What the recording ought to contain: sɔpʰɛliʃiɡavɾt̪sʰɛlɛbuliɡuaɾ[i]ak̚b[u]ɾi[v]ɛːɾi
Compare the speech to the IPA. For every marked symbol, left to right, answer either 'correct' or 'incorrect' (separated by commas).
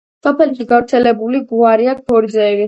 correct, incorrect, incorrect